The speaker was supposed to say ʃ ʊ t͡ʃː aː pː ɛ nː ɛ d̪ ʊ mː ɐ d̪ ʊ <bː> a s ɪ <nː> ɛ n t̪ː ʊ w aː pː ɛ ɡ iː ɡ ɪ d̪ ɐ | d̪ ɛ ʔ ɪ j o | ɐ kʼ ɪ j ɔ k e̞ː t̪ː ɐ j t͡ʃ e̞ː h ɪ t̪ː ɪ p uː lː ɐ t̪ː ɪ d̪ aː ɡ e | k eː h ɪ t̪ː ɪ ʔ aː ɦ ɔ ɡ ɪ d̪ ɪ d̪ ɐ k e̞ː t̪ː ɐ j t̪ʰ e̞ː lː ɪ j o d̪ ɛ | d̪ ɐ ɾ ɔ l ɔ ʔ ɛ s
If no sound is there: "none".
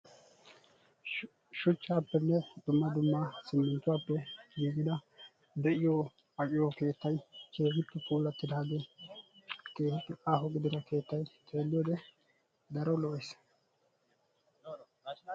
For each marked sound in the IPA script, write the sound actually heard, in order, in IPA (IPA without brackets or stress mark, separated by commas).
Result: mː, mː